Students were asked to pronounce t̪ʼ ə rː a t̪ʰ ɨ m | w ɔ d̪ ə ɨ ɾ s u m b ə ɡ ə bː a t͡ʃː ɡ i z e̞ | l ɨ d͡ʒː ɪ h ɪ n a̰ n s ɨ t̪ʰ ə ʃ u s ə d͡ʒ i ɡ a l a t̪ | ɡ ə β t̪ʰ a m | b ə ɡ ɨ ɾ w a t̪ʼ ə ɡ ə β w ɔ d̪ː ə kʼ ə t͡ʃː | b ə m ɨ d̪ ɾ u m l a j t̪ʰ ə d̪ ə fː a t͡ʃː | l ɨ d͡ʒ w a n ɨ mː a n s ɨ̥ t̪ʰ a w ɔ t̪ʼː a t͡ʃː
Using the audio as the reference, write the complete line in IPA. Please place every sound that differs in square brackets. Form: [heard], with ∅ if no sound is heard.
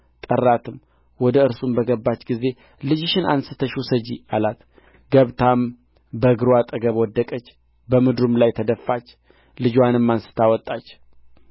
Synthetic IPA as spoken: t̪ʼ ə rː a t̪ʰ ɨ m | w ɔ d̪ ə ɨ ɾ s u m b ə ɡ ə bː a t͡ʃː ɡ i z e̞ | l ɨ [d͡ʒ] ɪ [ʃ] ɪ n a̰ n s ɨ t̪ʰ ə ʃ u s ə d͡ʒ i [∅] a l a t̪ | ɡ ə β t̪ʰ a m | b ə ɡ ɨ ɾ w a t̪ʼ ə ɡ ə β w ɔ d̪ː ə kʼ ə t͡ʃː | b ə m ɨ d̪ ɾ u m l a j t̪ʰ ə d̪ ə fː a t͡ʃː | l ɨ d͡ʒ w a n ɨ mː a n s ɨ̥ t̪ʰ a w ɔ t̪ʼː a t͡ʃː